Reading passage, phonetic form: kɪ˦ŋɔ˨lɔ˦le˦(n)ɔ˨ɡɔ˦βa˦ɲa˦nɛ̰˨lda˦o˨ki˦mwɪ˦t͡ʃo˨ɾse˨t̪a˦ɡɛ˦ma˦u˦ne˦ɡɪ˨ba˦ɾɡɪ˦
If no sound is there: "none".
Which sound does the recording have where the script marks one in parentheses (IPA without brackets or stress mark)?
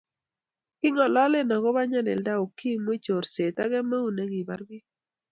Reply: n